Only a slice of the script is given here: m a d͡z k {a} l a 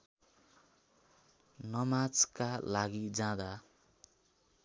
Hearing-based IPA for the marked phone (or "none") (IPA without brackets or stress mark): a